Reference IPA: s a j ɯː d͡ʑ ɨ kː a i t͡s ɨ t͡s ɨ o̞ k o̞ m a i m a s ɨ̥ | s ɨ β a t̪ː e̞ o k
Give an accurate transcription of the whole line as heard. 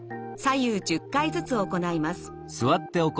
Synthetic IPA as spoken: s a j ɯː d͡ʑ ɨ kː a i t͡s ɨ t͡s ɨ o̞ k o̞ n a i m a s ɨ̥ | s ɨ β a t̪ː e̞ o k